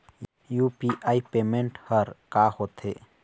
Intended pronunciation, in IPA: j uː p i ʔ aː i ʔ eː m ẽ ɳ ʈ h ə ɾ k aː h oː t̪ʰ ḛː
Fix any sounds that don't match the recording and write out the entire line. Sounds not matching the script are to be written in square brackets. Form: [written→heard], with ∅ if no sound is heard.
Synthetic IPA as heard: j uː p i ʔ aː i [ʔ→p] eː m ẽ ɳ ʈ h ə ɾ k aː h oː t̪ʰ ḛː